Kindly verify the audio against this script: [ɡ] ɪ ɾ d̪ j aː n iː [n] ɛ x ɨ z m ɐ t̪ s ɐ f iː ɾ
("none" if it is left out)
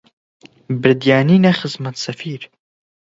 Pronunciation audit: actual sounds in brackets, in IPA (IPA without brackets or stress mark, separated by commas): b, n